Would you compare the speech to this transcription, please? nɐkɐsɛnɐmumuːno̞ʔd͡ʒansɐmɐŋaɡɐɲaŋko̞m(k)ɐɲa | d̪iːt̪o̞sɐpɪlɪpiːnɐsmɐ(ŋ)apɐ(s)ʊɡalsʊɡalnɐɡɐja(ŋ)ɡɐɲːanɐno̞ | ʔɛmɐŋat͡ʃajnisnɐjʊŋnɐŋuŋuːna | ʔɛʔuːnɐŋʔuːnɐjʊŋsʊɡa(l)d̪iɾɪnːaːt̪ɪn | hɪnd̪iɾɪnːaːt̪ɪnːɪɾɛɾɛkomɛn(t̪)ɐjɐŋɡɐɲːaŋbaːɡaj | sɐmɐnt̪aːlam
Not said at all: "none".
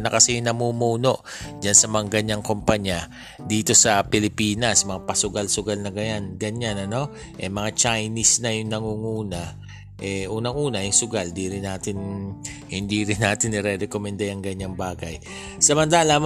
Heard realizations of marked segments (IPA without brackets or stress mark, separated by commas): p, ŋ, s, n, l, d̪